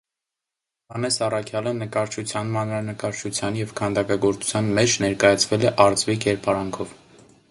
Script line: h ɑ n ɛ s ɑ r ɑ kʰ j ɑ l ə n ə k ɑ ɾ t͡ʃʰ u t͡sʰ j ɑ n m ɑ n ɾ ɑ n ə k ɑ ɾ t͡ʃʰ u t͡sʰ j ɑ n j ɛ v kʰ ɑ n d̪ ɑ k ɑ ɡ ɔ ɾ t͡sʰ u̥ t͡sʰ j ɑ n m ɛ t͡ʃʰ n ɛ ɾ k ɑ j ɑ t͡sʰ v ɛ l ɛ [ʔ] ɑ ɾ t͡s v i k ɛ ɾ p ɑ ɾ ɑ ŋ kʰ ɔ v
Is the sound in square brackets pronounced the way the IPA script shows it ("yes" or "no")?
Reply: yes